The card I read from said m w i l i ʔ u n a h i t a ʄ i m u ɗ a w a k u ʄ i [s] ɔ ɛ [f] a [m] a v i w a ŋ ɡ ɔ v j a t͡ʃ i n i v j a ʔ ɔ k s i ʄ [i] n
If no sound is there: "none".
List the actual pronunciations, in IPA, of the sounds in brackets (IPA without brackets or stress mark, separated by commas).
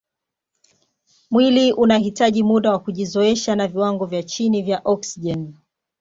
z, ʃ, n, ɛ